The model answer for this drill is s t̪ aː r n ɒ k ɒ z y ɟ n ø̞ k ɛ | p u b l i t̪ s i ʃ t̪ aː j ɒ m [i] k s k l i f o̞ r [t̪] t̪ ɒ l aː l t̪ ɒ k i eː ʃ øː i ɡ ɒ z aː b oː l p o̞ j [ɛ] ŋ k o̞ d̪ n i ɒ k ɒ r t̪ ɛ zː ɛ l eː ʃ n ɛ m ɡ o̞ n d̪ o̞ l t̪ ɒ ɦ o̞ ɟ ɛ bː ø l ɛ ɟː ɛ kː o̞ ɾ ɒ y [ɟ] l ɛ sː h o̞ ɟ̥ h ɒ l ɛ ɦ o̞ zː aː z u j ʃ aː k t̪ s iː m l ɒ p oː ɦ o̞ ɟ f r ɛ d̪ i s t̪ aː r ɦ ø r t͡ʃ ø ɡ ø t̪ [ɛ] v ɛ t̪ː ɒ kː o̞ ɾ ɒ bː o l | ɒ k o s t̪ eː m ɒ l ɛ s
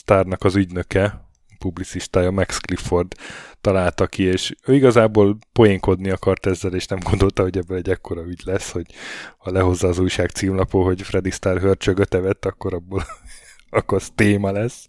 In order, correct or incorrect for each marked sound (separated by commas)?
incorrect, incorrect, incorrect, correct, correct